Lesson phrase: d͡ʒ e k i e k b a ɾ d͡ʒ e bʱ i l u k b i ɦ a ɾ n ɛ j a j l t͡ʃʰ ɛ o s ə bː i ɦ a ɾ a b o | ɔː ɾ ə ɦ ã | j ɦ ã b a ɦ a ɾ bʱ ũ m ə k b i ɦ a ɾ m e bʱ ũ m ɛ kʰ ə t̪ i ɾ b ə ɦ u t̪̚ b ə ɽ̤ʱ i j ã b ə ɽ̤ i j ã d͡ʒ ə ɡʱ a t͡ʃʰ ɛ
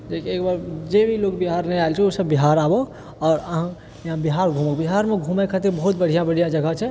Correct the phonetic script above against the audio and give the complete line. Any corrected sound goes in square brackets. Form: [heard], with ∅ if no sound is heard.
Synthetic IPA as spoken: d͡ʒ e k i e k b a ɾ d͡ʒ e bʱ i l [o] k b i ɦ a ɾ n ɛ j a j l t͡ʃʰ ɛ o s ə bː i ɦ a ɾ a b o | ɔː ɾ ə ɦ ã | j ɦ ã b [i] ɦ a ɾ [ɡʱ] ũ m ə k b i ɦ a ɾ m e [ɡʱ] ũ m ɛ kʰ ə t̪ i ɾ b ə ɦ u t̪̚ b ə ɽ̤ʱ i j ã b ə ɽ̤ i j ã d͡ʒ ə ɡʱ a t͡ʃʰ ɛ